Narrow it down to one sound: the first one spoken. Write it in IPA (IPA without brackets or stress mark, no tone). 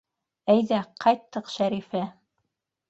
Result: æ